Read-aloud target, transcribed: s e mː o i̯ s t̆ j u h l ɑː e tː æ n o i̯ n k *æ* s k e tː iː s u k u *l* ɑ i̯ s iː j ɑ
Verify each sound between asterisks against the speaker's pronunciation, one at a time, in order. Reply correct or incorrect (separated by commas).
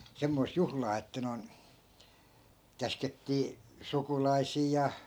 correct, correct